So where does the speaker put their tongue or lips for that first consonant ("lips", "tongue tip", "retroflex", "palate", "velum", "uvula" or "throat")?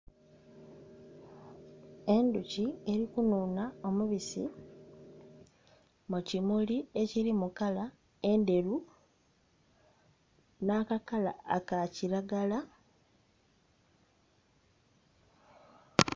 tongue tip